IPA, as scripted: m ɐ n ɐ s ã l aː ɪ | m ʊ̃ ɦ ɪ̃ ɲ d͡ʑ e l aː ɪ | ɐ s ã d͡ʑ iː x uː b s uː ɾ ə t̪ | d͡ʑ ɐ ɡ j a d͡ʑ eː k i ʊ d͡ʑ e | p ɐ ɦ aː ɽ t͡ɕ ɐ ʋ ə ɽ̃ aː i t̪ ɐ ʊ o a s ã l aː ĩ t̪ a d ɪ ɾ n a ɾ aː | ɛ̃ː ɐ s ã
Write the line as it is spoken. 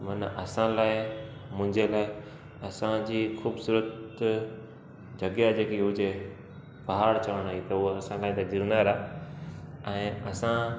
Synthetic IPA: m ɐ n ɐ s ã l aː ɪ | m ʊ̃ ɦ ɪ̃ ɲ d͡ʑ e l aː ɪ | ɐ s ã d͡ʑ iː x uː b s uː ɾ ə t̪ | d͡ʑ ɐ ɡ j a d͡ʑ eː k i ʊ d͡ʑ e | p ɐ ɦ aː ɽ t͡ɕ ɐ ʋ ə ɽ̃ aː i t̪ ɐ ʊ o ɐ s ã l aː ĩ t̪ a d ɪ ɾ n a ɾ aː | ɛ̃ː ɐ s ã